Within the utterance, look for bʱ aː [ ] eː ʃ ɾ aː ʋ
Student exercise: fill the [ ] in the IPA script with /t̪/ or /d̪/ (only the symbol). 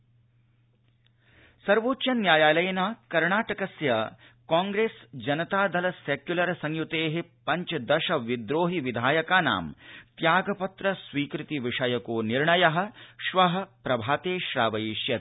t̪